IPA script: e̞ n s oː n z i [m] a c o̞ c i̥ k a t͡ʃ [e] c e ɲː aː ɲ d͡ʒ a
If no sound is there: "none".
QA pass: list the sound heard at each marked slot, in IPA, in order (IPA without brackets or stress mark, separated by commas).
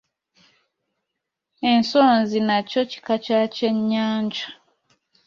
n, a